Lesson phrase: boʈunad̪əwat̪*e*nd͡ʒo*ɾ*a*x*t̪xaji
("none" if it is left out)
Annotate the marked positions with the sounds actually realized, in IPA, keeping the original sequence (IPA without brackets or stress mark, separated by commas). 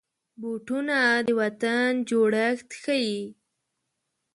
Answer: a, ɽ, x